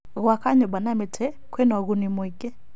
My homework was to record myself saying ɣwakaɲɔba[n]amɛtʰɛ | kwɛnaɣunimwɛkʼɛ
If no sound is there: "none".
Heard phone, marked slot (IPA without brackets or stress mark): n